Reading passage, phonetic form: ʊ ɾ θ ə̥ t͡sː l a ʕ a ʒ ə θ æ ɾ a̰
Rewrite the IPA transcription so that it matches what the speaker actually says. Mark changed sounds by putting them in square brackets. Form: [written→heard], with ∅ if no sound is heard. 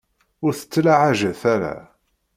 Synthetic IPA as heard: ʊ ɾ θ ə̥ t͡sː l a ʕ a ʒ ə θ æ ɾ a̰